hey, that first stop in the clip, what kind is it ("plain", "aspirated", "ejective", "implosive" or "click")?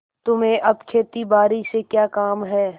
plain